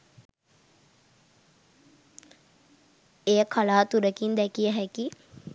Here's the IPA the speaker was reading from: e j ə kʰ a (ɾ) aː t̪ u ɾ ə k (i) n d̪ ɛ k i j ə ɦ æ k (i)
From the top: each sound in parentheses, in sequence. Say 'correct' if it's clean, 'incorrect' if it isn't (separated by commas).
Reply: incorrect, correct, correct